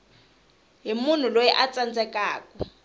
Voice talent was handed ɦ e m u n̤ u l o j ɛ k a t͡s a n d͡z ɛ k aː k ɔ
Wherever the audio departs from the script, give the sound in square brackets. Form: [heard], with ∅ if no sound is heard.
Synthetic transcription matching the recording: ɦ [i] m u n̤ u l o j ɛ [ʔ] a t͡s a n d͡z ɛ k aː k ɔ